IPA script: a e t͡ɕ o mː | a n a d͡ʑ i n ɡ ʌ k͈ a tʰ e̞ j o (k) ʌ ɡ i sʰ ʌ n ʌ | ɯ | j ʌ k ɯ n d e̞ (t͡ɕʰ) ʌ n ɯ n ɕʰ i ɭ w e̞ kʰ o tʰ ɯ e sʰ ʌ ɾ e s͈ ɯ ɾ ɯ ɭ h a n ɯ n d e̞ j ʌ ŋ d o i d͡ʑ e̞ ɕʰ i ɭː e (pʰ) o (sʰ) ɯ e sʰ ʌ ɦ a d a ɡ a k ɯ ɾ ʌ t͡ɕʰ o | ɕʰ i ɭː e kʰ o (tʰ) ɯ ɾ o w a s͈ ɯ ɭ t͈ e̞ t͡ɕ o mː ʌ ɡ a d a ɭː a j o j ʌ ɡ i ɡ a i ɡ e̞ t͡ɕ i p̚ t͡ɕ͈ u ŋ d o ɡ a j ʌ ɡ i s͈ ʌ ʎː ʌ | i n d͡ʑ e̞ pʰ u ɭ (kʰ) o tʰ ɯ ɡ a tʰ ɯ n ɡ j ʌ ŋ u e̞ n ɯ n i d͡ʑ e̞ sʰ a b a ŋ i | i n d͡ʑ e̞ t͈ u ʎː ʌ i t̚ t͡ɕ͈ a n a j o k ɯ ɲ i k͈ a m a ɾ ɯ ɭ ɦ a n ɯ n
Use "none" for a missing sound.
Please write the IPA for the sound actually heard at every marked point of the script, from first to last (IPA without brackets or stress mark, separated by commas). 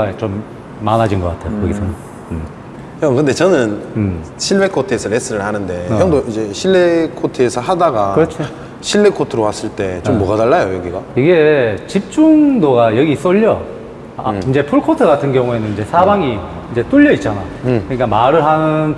k, t͡ɕ, kʰ, tʰ, tʰ, kʰ